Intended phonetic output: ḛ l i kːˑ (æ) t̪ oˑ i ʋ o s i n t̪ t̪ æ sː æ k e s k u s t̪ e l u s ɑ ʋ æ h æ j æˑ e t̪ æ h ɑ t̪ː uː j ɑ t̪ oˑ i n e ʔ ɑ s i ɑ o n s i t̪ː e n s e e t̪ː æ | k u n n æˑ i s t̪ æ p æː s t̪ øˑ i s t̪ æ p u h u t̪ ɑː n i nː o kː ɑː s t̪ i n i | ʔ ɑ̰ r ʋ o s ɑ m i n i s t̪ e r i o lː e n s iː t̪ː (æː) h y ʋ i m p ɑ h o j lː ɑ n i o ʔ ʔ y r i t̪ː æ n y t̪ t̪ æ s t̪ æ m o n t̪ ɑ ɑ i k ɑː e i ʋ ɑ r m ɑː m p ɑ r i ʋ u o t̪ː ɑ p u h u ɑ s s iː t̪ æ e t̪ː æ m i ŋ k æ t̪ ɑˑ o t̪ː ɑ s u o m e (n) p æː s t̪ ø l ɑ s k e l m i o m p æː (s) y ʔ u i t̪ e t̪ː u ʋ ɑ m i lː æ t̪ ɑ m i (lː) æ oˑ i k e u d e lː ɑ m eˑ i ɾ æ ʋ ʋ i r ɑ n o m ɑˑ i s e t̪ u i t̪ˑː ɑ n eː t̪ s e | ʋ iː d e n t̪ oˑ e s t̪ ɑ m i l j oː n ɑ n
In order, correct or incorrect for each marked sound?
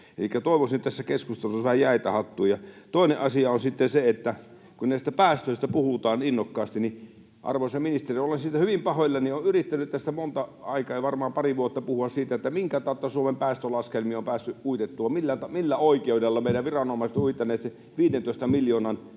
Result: correct, incorrect: æ, incorrect: m, incorrect: sː, correct

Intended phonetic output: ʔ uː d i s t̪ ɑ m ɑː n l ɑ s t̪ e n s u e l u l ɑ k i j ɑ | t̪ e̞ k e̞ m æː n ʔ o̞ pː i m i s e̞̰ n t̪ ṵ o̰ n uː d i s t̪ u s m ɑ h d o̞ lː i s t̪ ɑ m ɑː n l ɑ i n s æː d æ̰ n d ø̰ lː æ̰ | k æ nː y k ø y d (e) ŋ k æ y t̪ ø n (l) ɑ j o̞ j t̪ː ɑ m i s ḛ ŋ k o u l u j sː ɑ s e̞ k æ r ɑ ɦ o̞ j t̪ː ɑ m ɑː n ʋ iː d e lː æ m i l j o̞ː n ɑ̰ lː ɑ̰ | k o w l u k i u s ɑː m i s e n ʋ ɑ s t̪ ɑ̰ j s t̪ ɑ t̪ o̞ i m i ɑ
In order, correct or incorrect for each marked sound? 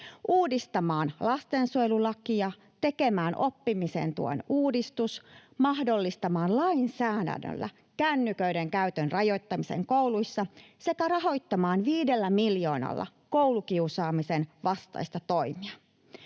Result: correct, incorrect: r

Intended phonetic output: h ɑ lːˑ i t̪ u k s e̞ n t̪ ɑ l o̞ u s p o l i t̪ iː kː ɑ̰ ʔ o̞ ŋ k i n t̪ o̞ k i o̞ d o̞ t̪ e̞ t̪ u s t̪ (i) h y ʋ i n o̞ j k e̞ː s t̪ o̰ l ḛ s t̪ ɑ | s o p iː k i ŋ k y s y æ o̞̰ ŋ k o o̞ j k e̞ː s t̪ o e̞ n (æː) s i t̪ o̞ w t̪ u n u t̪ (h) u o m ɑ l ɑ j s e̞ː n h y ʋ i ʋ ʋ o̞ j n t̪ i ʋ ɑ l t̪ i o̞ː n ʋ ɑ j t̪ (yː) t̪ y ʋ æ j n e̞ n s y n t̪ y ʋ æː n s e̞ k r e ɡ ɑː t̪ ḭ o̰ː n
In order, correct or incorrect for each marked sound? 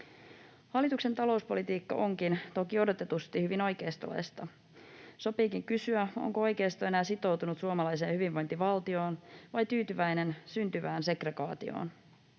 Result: correct, correct, incorrect: s, correct

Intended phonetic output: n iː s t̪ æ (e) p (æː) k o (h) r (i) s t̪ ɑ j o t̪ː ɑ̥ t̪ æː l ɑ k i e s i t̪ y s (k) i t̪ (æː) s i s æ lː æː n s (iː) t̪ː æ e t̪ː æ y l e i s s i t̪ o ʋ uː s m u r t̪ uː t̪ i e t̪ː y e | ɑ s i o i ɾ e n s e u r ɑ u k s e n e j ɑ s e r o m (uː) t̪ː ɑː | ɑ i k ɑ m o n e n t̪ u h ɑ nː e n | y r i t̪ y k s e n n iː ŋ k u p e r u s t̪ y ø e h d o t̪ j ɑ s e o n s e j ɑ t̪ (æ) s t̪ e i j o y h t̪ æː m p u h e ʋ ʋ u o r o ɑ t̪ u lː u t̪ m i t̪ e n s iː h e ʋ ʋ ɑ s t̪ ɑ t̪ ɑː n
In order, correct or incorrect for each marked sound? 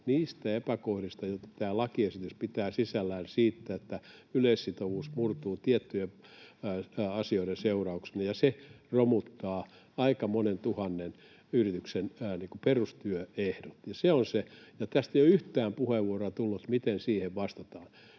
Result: correct, incorrect: æ, correct, correct, incorrect: p, correct, correct, incorrect: u, correct

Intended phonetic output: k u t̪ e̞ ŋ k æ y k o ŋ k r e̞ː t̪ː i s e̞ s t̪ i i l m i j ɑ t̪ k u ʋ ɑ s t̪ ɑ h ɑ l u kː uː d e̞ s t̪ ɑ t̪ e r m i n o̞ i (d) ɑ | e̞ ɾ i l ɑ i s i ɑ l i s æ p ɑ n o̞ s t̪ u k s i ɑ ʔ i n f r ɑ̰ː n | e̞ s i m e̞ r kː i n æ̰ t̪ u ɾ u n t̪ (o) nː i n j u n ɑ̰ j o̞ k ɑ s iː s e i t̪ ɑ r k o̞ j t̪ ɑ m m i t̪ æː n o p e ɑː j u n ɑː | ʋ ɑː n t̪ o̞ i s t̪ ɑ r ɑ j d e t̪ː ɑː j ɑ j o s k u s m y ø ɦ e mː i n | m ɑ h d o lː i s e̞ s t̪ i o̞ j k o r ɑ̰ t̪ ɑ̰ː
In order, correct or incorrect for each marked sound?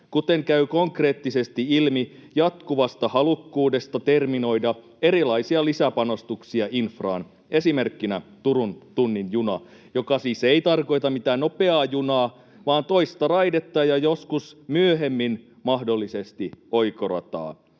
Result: correct, incorrect: u

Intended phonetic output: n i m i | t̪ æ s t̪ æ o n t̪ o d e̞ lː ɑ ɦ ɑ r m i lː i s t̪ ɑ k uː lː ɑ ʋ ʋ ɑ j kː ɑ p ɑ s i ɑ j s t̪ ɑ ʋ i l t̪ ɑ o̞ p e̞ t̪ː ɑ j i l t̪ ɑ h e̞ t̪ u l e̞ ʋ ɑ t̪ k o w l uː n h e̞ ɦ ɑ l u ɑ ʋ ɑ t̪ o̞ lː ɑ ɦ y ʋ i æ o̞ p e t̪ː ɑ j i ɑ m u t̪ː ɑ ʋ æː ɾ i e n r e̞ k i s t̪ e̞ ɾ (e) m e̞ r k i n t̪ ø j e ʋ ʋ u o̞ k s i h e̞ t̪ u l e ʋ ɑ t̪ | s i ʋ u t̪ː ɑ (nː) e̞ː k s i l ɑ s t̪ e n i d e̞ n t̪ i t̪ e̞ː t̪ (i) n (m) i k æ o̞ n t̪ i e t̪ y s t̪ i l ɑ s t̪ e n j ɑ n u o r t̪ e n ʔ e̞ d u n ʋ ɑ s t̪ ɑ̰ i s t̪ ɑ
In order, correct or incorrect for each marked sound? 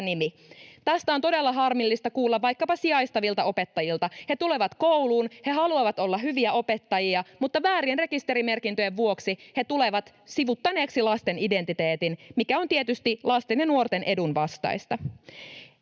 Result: incorrect: i, incorrect: n, correct, correct

